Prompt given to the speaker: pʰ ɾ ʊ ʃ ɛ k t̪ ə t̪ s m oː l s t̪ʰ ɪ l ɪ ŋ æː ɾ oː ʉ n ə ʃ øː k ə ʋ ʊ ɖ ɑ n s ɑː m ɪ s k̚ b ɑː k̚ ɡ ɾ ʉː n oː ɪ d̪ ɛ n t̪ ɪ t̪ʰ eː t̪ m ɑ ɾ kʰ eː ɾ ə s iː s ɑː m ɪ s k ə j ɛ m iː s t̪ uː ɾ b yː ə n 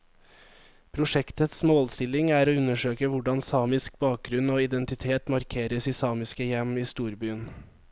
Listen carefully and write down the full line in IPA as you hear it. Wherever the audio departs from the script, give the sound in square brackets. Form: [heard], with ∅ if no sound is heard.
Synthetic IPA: pʰ ɾ ʊ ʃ ɛ k t̪ ə t̪ s m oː l s [t̪] ɪ l ɪ ŋ æː ɾ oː ʉ n ə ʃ øː k ə ʋ ʊ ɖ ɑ n s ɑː m ɪ s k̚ b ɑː k̚ ɡ ɾ [ʉ] n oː ɪ d̪ ɛ n t̪ ɪ t̪ʰ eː t̪ m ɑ ɾ kʰ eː ɾ ə s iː s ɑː m ɪ s k ə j ɛ m iː s t̪ uː ɾ b yː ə n